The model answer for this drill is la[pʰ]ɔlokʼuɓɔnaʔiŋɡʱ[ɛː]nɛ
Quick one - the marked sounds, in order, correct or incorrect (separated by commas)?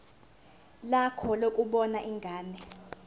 incorrect, incorrect